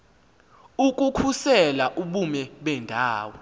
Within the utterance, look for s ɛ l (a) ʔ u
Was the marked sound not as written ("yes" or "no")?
no